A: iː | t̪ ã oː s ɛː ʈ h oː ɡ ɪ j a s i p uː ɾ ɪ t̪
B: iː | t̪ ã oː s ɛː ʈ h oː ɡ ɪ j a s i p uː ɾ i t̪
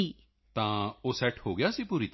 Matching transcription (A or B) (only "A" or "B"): B